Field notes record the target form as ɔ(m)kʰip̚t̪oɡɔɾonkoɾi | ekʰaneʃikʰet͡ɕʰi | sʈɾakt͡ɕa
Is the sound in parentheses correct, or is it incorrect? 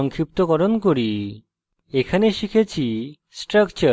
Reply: incorrect